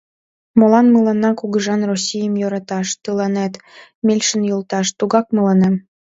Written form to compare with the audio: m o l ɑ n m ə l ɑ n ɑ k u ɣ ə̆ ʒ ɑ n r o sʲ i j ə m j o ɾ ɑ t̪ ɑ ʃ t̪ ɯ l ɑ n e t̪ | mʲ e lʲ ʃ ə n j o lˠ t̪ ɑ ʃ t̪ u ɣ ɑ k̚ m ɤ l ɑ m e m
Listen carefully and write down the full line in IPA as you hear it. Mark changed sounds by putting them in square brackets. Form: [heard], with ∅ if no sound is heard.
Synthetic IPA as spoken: m o l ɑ n m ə l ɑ n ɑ k u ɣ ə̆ ʒ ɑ n r o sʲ i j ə m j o ɾ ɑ t̪ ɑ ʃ t̪ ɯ l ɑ n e t̪ | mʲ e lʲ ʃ ə n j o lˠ t̪ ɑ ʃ t̪ u ɣ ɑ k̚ m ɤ l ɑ [n] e m